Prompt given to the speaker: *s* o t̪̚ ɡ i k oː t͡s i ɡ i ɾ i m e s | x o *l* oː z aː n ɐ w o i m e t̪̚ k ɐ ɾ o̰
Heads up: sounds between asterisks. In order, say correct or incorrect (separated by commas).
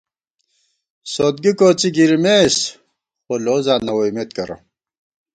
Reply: correct, correct